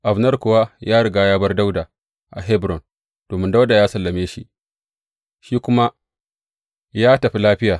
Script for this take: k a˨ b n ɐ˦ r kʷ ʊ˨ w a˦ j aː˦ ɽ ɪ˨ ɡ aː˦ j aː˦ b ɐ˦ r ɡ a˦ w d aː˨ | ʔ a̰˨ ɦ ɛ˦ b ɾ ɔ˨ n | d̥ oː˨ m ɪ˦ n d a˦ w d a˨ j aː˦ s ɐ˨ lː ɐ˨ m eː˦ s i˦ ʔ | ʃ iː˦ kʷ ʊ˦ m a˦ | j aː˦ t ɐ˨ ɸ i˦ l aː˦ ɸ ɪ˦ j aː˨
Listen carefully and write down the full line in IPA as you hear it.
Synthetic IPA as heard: ʔ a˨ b n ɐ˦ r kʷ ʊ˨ w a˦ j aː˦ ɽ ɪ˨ ɡ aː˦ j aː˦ b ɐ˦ r d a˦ w d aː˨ | ʔ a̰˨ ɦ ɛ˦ b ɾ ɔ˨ n | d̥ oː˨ m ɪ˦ n d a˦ w d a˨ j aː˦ s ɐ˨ lː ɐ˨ m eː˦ ʃ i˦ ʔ | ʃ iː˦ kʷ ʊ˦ m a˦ | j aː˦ t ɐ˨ ɸ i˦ l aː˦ ɸ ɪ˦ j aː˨